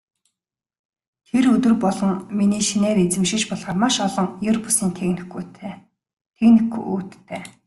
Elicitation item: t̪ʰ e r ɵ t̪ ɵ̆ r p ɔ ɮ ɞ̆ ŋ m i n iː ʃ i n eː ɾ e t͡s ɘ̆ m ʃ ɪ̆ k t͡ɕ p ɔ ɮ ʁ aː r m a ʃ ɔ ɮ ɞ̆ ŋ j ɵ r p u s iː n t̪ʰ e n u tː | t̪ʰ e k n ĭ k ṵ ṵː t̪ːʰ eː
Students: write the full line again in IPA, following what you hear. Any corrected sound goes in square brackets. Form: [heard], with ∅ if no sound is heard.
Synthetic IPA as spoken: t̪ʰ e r ɵ t̪ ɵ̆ r p ɔ ɮ ɞ̆ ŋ m i n iː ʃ i n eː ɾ e t͡s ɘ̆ m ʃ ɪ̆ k t͡ɕ p ɔ ɮ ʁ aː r m a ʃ ɔ ɮ ɞ̆ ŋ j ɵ r p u s iː n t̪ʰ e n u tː | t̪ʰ e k n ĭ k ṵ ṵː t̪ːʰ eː